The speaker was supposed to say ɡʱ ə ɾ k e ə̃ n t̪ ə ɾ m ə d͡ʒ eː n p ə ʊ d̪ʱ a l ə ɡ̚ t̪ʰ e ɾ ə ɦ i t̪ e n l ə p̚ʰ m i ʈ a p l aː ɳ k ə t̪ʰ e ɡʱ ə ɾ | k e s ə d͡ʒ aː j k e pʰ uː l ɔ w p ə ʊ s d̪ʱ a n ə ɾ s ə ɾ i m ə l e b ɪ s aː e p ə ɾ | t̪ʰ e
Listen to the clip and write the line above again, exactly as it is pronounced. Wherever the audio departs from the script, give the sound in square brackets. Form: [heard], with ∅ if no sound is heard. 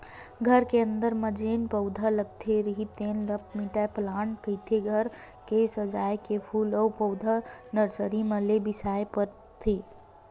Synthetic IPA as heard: ɡʱ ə ɾ k e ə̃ n [d̪] ə ɾ m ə d͡ʒ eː n p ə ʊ d̪ʱ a l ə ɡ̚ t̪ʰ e ɾ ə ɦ i t̪ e n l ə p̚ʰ m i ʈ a p l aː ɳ k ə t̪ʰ e ɡʱ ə ɾ | k e s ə d͡ʒ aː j k e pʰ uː l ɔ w p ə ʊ [∅] d̪ʱ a n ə ɾ s ə ɾ i m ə l e b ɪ s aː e p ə ɾ | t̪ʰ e